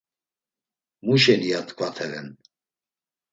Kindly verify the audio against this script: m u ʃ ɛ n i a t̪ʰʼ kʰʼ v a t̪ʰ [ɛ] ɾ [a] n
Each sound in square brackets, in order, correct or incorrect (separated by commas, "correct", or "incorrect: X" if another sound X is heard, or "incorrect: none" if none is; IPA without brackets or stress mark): correct, incorrect: ɛ